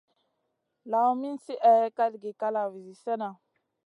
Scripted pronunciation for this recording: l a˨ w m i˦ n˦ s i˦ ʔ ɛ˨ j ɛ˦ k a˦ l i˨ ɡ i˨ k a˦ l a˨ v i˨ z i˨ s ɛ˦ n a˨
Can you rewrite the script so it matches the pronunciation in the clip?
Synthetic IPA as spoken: l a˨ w m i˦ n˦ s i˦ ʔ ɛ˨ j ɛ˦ k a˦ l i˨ ɡ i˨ k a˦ l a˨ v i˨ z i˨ s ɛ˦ n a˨